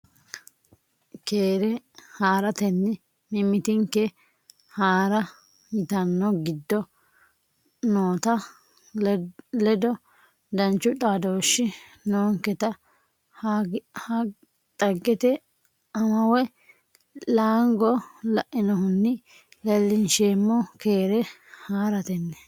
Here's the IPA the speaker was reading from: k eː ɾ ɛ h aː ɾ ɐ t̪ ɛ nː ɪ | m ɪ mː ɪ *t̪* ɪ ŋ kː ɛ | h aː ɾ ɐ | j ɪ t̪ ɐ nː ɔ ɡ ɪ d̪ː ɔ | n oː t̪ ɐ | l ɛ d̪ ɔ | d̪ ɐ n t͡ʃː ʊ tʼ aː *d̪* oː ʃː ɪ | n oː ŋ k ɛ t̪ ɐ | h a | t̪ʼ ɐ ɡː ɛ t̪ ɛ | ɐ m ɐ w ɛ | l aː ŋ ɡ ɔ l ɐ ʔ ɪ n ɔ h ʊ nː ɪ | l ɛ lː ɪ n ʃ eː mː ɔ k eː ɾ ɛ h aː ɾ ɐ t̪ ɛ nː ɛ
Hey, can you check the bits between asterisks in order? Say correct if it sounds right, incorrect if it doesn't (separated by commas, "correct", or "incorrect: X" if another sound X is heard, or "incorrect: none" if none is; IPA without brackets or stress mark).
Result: correct, correct